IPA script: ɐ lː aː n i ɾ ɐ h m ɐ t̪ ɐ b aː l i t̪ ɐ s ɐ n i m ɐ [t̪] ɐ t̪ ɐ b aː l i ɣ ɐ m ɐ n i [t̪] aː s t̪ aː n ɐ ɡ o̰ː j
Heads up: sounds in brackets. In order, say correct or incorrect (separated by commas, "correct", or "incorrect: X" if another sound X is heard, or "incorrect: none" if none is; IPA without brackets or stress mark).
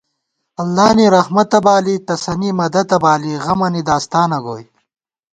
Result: incorrect: d̪, incorrect: d̪